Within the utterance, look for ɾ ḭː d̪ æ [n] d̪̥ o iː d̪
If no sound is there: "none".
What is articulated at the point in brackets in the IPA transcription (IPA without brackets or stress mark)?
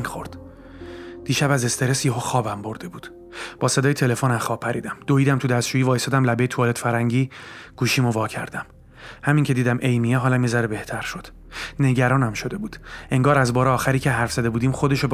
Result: m